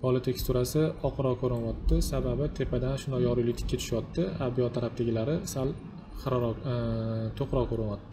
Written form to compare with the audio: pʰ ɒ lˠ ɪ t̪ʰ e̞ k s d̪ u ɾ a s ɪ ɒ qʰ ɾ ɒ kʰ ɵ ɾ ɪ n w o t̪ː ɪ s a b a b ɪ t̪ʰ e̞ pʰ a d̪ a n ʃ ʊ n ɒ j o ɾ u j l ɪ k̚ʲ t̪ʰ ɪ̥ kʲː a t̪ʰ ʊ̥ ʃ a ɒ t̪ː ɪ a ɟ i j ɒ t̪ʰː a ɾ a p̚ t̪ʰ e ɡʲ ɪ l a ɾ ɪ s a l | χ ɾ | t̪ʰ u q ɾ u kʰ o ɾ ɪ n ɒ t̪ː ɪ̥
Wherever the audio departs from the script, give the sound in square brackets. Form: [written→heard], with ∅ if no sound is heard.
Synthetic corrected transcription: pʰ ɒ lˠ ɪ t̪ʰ e̞ k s [d̪→t̪] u ɾ a s ɪ ɒ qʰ ɾ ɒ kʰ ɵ ɾ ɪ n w [o→ɒ] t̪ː ɪ s a b a b ɪ t̪ʰ e̞ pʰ a d̪ a n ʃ ʊ n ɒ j [o→ɒ] ɾ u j l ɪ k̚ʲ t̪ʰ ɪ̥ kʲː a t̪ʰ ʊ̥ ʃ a ɒ t̪ː ɪ a [ɟ→b] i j ɒ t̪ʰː a ɾ a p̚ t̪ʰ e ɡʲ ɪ l a ɾ ɪ s a l | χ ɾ | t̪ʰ [u→o] q ɾ [u→ɒ] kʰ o ɾ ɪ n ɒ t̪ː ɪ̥